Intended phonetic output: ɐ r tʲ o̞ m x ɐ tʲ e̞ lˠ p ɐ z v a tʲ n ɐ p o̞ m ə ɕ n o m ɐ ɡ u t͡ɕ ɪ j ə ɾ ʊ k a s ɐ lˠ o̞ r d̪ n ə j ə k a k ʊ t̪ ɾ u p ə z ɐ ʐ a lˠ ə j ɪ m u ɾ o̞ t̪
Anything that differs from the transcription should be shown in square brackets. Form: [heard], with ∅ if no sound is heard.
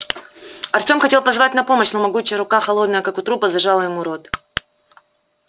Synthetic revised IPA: ɐ r tʲ o̞ m x ɐ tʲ e̞ lˠ p ɐ z v a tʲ n ɐ p o̞ m ə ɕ n o m ɐ ɡ u t͡ɕ ɪ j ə ɾ ʊ k a [x] ɐ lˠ o̞ [∅] d̪ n ə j ə k a k ʊ t̪ ɾ u p ə z ɐ ʐ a lˠ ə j ɪ m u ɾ o̞ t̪